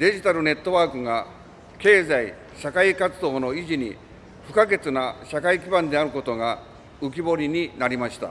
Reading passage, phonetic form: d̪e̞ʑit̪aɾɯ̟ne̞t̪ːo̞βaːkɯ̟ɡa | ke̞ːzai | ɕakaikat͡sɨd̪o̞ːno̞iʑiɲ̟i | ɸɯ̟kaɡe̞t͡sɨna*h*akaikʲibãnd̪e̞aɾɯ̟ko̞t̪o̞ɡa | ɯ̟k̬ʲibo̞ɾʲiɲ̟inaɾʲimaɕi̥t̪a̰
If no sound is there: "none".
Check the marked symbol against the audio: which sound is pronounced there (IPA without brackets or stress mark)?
ɕ